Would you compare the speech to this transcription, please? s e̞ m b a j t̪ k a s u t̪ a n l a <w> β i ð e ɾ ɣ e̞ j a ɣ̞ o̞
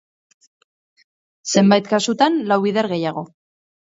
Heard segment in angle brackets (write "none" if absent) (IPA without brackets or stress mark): w